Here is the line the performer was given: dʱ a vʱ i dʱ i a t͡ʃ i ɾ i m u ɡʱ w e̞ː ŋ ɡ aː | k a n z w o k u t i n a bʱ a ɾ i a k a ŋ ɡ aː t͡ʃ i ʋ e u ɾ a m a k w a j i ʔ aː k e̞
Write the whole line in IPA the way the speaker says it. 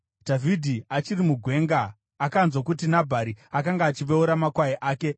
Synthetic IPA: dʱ a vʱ i dʱ i a t͡ʃ i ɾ i m u ɡʱ w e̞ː ŋ ɡ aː | k a n z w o k u t i n a bʱ a ɾ i a k a ŋ ɡ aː t͡ʃ i ʋ e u ɾ a m a k w a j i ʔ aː k e̞